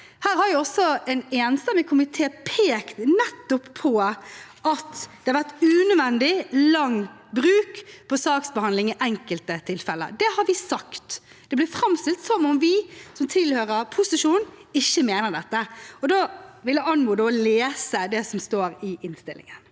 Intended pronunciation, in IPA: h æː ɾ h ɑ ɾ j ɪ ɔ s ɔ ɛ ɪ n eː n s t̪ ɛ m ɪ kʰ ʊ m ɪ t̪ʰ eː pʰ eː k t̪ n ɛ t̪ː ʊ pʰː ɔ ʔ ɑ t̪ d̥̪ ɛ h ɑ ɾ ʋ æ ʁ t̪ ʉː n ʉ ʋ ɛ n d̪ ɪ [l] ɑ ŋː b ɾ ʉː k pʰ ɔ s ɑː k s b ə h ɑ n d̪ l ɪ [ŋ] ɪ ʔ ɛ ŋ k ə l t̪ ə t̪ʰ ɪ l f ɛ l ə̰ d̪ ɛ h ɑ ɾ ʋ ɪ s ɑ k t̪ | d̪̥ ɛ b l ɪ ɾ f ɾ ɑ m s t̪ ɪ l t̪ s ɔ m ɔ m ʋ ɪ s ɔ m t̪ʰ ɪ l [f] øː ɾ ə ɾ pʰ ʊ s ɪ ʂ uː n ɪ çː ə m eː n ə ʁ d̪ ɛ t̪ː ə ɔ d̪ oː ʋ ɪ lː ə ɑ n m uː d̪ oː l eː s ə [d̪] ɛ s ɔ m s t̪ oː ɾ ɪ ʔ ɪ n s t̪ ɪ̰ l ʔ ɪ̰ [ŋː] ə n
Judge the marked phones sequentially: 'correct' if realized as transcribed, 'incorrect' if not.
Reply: correct, correct, incorrect: h, correct, incorrect: ŋ

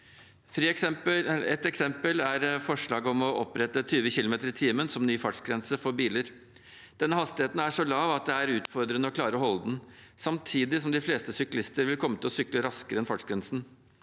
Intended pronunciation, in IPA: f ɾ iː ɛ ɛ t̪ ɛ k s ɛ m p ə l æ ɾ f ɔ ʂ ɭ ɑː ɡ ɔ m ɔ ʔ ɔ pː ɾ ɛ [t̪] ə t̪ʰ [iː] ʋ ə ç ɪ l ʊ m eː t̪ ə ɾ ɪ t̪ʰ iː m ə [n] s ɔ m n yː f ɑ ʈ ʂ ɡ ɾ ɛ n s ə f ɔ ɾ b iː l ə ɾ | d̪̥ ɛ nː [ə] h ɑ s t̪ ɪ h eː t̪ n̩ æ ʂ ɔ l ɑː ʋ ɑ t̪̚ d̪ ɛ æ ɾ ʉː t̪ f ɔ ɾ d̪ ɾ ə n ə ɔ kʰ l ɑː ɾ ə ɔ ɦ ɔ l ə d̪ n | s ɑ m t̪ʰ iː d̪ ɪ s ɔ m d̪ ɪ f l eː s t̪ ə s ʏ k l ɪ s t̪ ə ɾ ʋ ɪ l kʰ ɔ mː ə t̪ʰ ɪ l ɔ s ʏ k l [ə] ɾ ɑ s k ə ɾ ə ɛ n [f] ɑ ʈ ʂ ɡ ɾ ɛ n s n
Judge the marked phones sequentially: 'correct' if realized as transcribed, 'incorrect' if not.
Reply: correct, incorrect: yː, correct, correct, correct, correct

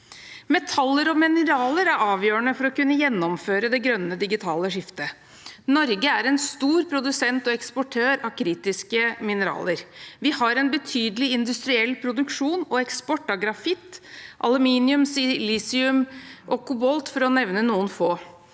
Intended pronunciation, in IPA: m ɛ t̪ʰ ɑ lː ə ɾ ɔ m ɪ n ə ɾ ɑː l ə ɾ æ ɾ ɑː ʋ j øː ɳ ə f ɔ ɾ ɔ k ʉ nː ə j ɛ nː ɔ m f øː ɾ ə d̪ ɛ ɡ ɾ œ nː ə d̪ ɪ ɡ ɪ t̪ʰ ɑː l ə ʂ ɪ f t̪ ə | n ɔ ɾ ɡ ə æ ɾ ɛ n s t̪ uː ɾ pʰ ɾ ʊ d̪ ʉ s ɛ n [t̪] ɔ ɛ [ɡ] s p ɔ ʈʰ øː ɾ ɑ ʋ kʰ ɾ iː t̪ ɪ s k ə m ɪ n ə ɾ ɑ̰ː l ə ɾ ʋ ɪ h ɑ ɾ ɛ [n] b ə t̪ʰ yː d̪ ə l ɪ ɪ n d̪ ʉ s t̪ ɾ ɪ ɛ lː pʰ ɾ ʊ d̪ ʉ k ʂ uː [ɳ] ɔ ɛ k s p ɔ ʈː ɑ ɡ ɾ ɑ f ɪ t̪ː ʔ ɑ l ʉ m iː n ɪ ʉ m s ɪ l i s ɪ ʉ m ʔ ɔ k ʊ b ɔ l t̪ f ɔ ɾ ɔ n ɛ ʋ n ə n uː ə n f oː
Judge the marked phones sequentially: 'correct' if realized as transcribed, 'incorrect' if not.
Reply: correct, incorrect: k, correct, incorrect: n

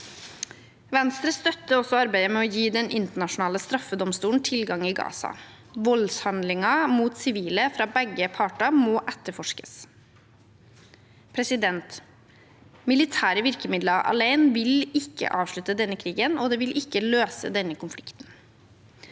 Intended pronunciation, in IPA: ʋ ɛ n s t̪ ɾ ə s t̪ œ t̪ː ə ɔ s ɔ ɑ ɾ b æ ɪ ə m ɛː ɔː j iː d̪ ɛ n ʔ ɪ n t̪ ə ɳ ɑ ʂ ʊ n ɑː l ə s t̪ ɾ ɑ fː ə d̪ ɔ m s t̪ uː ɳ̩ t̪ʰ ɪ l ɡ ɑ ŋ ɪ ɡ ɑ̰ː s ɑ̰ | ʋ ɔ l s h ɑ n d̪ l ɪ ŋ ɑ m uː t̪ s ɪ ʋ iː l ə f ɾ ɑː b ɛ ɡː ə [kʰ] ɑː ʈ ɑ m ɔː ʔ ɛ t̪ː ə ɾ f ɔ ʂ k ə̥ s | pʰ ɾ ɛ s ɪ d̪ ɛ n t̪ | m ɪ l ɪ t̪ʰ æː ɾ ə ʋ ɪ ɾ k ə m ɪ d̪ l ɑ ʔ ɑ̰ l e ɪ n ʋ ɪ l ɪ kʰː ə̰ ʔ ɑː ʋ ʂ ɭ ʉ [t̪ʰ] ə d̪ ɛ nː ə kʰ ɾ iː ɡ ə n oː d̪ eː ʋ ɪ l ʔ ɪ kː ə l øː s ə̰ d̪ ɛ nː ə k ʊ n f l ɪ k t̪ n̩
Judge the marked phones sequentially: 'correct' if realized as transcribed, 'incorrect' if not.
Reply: incorrect: pʰ, incorrect: t̪

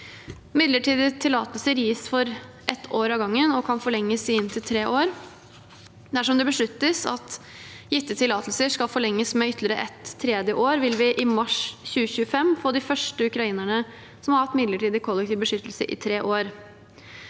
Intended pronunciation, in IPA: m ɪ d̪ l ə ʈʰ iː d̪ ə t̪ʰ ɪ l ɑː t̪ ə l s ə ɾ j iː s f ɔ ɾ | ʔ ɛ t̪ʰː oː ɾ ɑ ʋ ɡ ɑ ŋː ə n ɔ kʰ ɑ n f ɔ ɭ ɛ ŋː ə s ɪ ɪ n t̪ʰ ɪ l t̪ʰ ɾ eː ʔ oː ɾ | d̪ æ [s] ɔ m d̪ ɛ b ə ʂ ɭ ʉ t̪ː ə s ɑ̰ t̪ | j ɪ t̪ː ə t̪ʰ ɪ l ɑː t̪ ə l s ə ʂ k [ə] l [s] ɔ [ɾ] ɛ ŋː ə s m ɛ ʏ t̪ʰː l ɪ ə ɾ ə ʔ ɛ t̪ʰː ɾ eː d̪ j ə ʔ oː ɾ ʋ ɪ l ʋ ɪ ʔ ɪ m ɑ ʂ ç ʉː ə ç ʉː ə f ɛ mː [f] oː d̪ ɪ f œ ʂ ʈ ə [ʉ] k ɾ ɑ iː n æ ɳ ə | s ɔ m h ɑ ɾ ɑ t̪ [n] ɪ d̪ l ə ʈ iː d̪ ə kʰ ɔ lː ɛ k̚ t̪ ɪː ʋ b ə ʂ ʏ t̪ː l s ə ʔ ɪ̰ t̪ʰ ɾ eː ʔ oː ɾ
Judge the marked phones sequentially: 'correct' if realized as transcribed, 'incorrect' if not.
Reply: incorrect: ʂ, incorrect: ɑ, incorrect: f, incorrect: ɭ, correct, correct, incorrect: m

